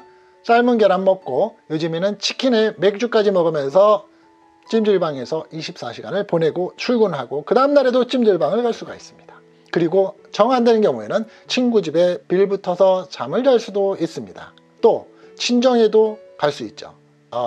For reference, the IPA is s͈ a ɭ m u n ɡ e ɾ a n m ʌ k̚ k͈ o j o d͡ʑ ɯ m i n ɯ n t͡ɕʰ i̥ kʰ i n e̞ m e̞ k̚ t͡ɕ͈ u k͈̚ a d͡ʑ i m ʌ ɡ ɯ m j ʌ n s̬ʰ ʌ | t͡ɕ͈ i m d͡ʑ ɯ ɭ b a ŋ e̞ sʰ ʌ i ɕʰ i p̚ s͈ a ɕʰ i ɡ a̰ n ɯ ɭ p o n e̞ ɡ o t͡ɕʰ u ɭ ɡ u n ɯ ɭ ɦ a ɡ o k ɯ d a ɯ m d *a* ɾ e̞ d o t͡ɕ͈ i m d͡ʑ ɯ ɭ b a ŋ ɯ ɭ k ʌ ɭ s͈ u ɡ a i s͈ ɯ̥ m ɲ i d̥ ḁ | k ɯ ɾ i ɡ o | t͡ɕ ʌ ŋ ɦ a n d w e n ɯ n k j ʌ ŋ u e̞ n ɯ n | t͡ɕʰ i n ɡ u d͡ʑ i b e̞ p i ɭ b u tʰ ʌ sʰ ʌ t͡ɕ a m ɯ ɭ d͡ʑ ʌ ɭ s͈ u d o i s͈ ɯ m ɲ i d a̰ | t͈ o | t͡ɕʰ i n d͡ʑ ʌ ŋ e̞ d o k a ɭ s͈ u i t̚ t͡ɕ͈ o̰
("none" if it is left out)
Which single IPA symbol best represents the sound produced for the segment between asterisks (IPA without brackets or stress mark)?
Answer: a